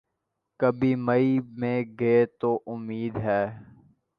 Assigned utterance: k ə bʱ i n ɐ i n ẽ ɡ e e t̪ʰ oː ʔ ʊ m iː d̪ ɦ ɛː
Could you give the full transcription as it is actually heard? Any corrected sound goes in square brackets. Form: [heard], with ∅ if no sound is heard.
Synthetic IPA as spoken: k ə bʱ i [m] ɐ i [m] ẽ ɡ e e [t̪] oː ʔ ʊ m iː d̪ ɦ ɛː